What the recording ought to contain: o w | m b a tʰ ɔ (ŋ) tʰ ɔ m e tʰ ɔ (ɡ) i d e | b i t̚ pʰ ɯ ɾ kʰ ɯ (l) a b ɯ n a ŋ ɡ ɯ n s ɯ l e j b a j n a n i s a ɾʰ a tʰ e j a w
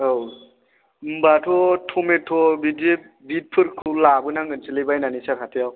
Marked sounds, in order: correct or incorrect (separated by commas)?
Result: incorrect, incorrect, correct